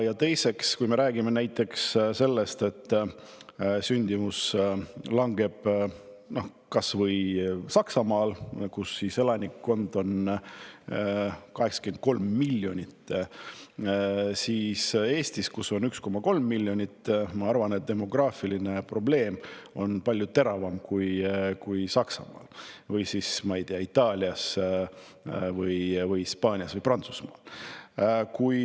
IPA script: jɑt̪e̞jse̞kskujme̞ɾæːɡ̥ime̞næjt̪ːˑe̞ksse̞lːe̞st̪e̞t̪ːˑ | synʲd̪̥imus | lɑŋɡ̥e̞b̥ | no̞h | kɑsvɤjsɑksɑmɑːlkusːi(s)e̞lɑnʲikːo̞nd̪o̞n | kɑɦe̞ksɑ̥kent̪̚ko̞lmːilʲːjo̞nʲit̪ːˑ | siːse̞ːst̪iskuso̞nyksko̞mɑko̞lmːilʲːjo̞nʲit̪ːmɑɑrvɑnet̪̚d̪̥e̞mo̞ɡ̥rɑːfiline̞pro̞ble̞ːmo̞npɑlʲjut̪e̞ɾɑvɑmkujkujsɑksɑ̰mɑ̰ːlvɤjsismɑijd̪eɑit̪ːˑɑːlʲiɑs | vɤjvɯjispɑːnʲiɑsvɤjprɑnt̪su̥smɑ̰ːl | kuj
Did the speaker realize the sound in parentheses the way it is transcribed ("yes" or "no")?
yes